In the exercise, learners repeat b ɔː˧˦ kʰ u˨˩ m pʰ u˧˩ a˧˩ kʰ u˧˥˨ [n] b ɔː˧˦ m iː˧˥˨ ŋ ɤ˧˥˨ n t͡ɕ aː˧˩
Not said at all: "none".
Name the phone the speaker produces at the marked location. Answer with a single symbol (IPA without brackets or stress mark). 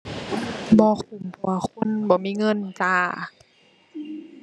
n